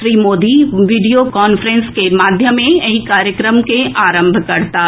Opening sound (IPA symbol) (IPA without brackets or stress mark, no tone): ɾ